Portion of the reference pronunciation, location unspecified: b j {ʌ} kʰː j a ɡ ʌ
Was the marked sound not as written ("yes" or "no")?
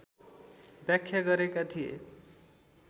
yes